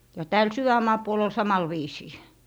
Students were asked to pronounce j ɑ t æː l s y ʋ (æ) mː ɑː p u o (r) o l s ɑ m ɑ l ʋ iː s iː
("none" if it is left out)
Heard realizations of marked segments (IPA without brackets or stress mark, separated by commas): æ, l